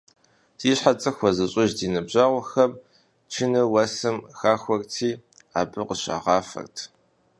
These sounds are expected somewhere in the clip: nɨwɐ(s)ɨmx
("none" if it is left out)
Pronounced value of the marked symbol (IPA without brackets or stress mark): s